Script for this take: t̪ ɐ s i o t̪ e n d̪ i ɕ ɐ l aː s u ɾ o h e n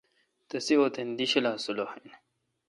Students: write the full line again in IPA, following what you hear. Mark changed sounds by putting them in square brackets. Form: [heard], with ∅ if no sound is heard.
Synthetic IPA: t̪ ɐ s i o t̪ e n d̪ i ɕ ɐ l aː s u [l] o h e n